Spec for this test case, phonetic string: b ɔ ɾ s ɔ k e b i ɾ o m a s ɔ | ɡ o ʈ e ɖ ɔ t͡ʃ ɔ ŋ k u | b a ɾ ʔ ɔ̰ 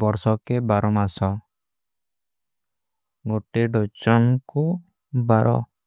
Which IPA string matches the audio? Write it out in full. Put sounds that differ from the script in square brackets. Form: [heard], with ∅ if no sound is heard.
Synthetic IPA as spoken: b ɔ ɾ s ɔ k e b [a] ɾ [ɔ] m a s ɔ | ɡ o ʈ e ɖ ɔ t͡ʃ ɔ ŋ k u | b a ɾ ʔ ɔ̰